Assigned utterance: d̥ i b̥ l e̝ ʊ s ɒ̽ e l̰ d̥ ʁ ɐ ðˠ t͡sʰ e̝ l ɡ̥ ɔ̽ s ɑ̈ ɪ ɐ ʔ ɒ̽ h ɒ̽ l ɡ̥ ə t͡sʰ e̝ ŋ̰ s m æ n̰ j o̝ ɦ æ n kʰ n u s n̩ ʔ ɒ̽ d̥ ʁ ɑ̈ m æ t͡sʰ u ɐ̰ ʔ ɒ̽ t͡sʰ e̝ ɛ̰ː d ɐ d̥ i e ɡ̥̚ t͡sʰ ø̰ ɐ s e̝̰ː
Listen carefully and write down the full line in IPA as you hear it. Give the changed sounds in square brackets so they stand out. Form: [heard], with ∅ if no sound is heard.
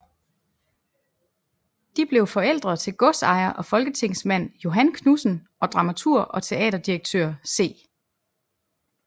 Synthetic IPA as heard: d̥ i b̥ l e̝ ʊ [f] ɒ̽ e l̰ d̥ ʁ ɐ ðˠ t͡sʰ e̝ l ɡ̥ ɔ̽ s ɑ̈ ɪ ɐ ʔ ɒ̽ [f] ɒ̽ l ɡ̥ ə t͡sʰ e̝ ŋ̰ s m æ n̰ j o̝ ɦ æ n kʰ n u s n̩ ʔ ɒ̽ d̥ ʁ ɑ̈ m æ t͡sʰ u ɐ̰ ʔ ɒ̽ t͡sʰ e̝ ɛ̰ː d ɐ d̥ i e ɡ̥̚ t͡sʰ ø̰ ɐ s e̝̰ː